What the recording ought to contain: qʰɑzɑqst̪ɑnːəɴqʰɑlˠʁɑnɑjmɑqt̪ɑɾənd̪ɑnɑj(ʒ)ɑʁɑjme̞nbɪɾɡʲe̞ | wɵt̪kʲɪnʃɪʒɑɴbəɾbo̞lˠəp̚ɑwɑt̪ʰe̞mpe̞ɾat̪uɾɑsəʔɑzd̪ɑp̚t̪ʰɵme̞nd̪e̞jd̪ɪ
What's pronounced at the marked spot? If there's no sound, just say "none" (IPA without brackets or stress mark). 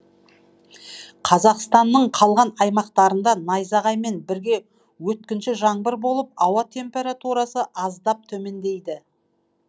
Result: z